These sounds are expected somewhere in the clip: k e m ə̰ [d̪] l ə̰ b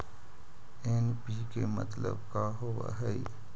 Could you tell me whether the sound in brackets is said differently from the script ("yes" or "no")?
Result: yes